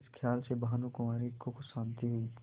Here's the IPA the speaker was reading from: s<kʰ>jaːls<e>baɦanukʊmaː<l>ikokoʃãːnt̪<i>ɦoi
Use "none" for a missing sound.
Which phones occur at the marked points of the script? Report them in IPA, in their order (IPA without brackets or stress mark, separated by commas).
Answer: kʰ, e, ɾ, i